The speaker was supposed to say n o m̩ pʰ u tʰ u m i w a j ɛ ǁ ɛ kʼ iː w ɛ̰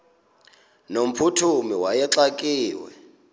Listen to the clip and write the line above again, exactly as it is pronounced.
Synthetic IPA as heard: n o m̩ pʰ u tʰ u m i w a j ɛ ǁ a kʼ iː w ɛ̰